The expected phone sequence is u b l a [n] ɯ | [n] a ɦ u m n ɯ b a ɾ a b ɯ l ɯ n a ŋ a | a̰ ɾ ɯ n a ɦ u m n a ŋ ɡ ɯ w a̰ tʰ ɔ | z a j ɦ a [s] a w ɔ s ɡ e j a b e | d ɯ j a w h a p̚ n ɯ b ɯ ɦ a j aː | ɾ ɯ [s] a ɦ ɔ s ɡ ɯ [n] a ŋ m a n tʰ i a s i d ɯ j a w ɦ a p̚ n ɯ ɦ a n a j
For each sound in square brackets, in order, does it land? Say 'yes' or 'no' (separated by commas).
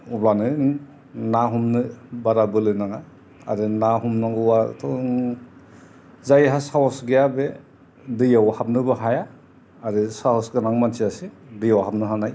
yes, yes, yes, yes, yes